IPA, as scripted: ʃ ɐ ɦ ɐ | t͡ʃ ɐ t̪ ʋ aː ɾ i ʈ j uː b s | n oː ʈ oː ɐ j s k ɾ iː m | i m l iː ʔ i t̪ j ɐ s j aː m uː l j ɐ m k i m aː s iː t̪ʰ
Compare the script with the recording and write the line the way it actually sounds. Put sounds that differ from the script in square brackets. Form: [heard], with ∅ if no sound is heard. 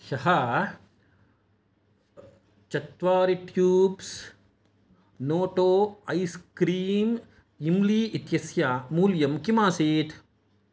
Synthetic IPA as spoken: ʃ ɐ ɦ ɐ | t͡ʃ ɐ t̪ ʋ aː ɾ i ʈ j uː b s | n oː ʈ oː ɐ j s k ɾ iː m | i m l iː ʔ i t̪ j ɐ s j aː m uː l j ɐ m k i m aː s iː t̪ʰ